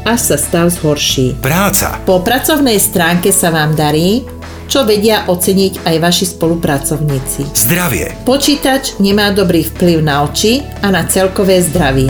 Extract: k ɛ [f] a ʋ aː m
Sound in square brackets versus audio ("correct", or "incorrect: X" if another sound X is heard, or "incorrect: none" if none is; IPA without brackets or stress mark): incorrect: s